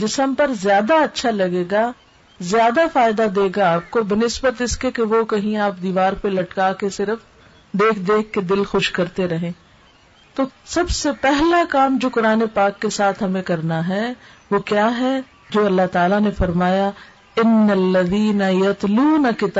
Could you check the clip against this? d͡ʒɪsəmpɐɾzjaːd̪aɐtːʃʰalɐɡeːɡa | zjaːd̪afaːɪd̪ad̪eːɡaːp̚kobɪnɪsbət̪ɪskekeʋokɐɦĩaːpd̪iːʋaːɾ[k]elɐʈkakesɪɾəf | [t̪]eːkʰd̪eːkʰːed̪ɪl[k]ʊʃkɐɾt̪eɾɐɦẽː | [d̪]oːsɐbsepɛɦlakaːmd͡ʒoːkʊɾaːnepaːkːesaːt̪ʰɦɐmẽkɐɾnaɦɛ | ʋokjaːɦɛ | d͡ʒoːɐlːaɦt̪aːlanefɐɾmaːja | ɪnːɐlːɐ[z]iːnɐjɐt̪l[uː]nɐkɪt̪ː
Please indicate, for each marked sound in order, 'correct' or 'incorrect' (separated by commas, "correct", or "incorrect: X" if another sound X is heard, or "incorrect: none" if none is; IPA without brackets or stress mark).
incorrect: p, incorrect: d̪, incorrect: x, incorrect: t̪, incorrect: ð, correct